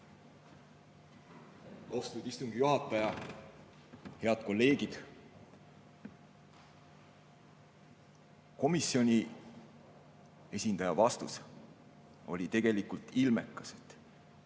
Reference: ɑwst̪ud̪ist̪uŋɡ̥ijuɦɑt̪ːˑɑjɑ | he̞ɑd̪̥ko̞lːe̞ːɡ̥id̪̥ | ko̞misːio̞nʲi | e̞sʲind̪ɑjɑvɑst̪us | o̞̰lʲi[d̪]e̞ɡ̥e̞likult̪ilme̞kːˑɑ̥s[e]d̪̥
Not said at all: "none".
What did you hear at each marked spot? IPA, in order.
t̪, e

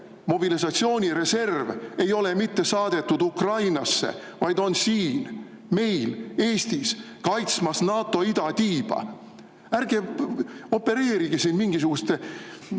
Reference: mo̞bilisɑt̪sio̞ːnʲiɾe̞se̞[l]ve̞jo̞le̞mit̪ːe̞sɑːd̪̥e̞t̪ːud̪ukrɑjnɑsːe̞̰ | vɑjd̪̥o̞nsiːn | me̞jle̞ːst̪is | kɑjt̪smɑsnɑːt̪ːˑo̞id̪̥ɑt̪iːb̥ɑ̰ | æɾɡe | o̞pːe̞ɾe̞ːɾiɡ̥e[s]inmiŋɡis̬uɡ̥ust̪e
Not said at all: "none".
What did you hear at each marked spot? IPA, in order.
r, s

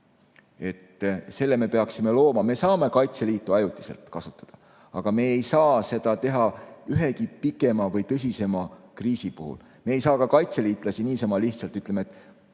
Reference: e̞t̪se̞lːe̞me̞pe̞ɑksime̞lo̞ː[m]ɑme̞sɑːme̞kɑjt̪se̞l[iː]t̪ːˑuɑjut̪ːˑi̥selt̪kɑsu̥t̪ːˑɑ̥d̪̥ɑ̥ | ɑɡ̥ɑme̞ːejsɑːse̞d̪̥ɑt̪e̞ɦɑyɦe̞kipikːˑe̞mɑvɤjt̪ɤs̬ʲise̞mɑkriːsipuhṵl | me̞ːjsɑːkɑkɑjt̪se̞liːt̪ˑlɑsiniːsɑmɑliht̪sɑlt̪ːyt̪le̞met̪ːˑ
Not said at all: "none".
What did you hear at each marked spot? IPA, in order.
m, iː

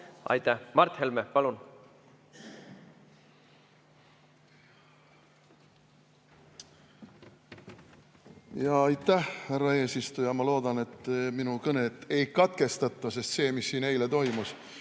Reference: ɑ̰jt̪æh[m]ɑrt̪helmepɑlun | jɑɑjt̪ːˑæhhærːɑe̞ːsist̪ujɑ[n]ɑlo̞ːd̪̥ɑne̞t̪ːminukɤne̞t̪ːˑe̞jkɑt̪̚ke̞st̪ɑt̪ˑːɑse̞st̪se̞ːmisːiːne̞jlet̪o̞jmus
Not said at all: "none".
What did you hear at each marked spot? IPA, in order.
m, m

